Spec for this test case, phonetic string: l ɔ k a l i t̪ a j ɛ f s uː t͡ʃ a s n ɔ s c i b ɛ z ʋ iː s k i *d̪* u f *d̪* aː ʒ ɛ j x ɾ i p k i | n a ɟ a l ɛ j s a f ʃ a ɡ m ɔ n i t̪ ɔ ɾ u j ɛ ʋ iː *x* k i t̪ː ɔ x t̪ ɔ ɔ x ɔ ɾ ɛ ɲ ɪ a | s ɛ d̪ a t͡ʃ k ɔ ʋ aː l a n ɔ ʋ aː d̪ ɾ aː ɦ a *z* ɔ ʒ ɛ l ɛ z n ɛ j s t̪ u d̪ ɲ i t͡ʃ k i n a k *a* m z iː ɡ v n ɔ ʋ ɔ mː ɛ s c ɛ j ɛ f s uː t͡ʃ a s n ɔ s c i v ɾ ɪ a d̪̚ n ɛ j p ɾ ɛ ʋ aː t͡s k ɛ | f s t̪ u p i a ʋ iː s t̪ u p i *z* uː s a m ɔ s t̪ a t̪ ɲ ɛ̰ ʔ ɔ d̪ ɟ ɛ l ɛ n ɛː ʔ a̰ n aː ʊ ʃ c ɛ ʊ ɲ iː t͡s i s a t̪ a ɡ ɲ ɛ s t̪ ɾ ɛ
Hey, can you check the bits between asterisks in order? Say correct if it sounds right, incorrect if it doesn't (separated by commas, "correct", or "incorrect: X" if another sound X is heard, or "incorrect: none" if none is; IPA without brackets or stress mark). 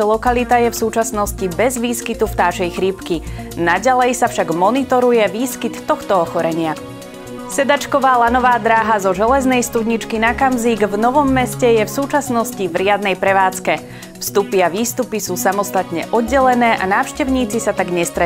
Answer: incorrect: t̪, incorrect: t̪, incorrect: s, correct, correct, incorrect: s